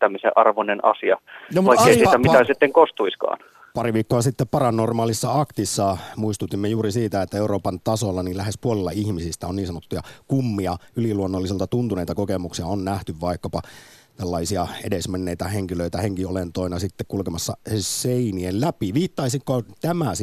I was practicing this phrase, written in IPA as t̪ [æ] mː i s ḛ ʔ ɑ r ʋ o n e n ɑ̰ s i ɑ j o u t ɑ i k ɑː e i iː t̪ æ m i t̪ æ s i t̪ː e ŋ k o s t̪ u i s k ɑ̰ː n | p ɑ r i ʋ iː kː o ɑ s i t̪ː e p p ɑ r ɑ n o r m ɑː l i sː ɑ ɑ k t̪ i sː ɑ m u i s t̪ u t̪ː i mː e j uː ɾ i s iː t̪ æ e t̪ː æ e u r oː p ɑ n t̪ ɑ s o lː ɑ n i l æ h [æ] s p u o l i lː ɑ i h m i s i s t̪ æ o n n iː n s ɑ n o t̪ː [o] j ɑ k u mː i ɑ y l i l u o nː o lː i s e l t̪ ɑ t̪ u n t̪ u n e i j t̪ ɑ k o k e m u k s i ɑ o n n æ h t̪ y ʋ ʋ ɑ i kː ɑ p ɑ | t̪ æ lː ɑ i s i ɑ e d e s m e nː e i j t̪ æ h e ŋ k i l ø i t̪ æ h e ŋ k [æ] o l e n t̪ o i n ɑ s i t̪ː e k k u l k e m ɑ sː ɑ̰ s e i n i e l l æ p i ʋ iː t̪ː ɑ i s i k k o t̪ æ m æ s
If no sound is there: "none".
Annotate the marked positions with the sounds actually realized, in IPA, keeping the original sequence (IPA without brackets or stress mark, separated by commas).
æ, e, u, i